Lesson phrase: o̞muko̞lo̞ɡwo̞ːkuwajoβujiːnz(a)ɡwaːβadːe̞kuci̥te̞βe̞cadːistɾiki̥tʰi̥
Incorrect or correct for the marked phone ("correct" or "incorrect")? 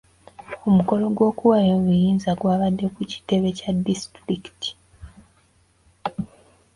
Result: correct